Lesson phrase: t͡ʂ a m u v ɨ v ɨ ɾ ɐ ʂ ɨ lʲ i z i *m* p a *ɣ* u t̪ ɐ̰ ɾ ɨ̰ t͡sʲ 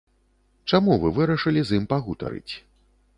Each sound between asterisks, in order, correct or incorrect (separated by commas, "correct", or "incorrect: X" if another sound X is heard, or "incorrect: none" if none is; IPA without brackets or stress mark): correct, correct